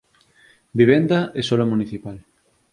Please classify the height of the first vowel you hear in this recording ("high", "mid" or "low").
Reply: high